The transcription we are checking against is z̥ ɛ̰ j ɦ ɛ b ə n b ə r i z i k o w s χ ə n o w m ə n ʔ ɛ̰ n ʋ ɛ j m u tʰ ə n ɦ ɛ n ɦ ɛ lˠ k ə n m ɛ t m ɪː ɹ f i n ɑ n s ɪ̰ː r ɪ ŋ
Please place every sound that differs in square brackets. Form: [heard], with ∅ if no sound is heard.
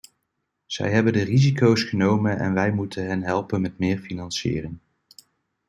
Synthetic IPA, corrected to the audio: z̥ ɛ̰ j ɦ ɛ b ə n [d] ə r i z i k o w s χ ə n o w m ə n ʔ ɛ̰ n ʋ ɛ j m u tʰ ə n ɦ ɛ n ɦ ɛ lˠ [p] ə n m ɛ t m ɪː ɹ f i n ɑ n s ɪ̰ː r ɪ ŋ